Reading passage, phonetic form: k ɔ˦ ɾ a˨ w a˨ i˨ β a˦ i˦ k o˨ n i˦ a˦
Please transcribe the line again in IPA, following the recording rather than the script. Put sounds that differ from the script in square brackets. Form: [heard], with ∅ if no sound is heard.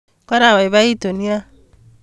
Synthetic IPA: k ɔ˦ ɾ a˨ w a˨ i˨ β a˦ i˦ [t] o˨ n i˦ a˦